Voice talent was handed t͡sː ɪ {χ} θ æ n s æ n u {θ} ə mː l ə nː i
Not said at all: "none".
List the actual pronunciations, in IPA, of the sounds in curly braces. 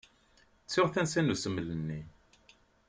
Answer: ʁ, s

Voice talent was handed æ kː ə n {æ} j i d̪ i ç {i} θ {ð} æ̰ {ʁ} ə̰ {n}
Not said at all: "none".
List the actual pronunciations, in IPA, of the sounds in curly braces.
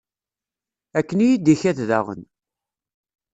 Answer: i, æ, ð, ʁ, n

